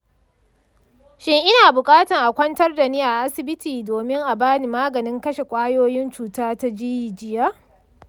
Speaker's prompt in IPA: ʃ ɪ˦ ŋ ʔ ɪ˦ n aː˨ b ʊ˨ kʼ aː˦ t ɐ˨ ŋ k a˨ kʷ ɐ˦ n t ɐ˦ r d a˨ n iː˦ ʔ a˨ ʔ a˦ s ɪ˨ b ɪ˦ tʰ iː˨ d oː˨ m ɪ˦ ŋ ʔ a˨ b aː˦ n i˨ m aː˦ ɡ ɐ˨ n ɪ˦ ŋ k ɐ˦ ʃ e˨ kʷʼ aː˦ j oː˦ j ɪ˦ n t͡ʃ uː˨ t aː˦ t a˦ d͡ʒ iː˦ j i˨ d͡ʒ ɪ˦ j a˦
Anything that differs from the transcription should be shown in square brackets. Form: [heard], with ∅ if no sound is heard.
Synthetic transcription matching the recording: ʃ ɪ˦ ŋ ʔ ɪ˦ n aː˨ b ʊ˨ kʼ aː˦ t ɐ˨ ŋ [ʔ] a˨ kʷ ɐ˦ n t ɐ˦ r d a˨ n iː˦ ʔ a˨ ʔ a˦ s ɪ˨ b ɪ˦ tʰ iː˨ d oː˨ m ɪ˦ ŋ ʔ a˨ b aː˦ n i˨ m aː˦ ɡ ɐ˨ n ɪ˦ ŋ k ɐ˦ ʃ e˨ kʷʼ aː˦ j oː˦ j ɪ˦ n t͡ʃ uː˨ t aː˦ t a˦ d͡ʒ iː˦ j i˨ d͡ʒ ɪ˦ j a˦